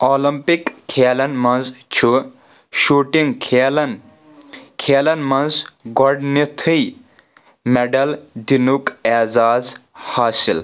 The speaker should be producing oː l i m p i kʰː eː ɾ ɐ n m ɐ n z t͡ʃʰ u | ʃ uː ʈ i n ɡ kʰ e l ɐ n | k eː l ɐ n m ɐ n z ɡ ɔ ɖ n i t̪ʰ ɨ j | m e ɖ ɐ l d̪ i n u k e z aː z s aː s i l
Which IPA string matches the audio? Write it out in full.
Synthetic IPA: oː l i m p i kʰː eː l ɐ n m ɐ n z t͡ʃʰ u | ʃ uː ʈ i ŋ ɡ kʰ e l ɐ n | kʰ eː l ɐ n m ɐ n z ɡ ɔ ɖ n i t̪ʰ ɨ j | m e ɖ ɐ l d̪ i n u k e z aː z h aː s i l